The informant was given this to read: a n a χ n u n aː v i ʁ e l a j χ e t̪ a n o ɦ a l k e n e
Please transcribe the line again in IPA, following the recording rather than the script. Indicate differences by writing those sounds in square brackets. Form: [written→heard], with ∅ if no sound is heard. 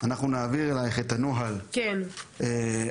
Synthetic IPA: a n a χ n u n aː v i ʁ e l a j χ e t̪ a n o ɦ a l k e n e

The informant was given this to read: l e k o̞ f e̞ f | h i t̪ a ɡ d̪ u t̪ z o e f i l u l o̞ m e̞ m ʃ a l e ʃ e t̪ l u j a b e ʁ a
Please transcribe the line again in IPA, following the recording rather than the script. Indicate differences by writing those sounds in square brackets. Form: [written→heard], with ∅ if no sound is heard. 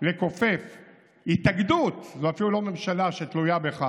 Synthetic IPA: l e k o̞ f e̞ f | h i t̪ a ɡ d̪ u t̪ z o [e→a] f i l u l o̞ m e̞ m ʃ a l [e→a] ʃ e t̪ l u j a b e [ʁ→χ] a

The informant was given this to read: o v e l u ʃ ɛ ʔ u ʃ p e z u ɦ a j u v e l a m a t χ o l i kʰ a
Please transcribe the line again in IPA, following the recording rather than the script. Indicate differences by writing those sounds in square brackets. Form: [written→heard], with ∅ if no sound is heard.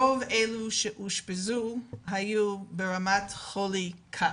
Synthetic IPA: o v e l u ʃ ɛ ʔ u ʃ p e z u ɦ a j u [v→b] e [l→ɹ] a m a t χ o l i kʰ a

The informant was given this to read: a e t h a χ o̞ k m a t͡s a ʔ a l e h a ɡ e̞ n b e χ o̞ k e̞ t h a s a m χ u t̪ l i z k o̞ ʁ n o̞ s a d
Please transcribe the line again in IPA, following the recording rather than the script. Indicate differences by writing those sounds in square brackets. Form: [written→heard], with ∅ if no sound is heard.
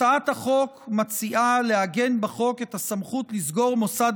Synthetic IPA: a [e→a] t h a χ o̞ k m a t͡s [a→i] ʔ a l e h a ɡ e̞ n b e χ o̞ k e̞ t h a s a m χ u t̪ l i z [k→ɡ] o̞ ʁ [n→m] o̞ s a d

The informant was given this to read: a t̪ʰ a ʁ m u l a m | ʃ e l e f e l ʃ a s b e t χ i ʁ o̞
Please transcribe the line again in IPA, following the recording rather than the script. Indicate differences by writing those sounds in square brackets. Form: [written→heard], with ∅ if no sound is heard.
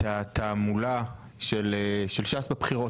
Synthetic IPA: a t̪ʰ a [ʁ→∅] m u l a [m→∅] | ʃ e l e [f→ʃ] e l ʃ a s b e [t→p] χ i ʁ o̞

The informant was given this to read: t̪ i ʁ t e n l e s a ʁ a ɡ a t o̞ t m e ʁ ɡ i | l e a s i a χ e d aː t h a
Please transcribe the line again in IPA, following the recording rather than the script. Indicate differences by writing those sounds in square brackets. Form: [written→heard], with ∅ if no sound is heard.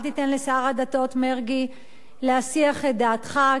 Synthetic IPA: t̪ i [ʁ→∅] t e n l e s a ʁ a [ɡ→d] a t o̞ t m e ʁ ɡ i | l e a s i a χ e d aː t [h→χ] a

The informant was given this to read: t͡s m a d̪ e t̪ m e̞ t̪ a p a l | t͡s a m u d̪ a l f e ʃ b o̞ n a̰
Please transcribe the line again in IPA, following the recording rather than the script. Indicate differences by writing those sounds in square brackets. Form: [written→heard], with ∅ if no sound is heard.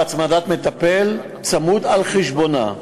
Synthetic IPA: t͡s m a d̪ [e→a] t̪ m e̞ t̪ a p [a→e] l | t͡s a m u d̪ a l [f→χ] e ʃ b o̞ n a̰

